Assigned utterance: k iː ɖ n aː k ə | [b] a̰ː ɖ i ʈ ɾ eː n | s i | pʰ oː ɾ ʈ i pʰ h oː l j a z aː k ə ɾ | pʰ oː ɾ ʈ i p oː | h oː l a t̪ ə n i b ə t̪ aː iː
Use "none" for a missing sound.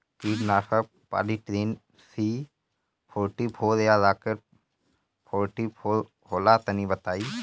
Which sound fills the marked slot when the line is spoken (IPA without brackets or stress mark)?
p